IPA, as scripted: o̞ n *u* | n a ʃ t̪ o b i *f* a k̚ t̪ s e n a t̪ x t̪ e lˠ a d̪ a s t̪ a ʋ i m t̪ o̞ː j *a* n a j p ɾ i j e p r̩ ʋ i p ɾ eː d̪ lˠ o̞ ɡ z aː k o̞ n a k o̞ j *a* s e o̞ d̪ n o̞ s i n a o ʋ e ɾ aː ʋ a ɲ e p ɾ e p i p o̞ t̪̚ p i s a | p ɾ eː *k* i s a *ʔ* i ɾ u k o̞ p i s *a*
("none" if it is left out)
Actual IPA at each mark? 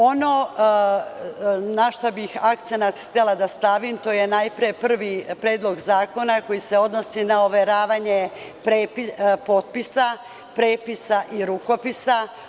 o, x, e, i, p, ʔ, a

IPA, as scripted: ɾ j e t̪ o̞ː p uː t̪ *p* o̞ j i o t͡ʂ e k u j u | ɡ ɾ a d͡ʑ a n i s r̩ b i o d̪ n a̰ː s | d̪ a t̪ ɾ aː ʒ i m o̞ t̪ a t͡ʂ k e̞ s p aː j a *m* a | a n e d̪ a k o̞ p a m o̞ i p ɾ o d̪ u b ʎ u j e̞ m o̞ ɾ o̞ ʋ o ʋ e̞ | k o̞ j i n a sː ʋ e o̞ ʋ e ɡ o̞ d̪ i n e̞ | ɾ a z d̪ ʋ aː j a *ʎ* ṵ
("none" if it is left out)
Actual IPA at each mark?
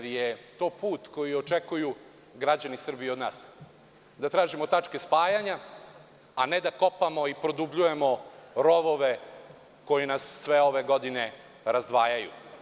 k, ɲ, j

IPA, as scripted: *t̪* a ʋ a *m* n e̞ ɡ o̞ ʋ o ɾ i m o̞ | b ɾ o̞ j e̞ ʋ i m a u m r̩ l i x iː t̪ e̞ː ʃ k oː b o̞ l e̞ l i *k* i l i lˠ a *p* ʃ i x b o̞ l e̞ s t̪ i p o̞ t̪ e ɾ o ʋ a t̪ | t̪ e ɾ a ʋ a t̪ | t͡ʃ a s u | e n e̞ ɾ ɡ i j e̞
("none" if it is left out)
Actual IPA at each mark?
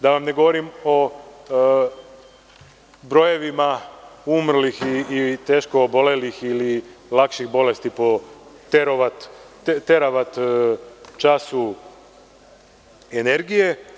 d̪, m, x, k

